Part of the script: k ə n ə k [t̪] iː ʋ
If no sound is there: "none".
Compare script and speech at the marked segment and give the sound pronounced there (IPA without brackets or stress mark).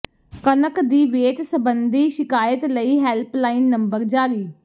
d̪